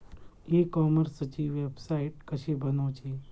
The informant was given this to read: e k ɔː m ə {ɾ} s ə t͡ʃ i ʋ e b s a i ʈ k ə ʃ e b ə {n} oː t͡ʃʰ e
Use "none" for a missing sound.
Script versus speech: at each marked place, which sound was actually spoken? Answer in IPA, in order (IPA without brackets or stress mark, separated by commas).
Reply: ɾ, n